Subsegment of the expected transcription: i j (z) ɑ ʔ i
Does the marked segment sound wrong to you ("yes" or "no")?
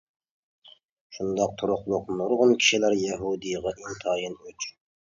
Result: yes